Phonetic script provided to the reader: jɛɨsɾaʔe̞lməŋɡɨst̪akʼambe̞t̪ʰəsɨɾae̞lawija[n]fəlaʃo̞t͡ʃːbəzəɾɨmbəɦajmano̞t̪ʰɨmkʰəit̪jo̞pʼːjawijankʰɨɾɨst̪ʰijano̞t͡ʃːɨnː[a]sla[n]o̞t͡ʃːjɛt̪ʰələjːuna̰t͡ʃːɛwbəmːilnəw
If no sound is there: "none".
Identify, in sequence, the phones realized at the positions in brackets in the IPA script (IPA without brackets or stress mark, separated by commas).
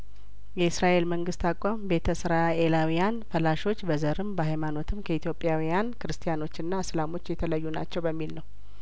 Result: n, a, m